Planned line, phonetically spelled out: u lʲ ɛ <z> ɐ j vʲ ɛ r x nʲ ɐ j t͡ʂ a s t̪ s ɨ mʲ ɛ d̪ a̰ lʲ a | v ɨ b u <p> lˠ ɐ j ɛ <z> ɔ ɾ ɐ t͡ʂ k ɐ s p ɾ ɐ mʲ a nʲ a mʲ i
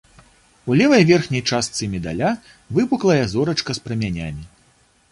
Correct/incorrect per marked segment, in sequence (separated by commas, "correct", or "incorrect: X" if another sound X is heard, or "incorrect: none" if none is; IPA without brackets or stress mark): incorrect: v, incorrect: k, correct